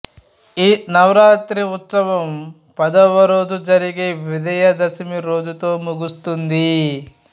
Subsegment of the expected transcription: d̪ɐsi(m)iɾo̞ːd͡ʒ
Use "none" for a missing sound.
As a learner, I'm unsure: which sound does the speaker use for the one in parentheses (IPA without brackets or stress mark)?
m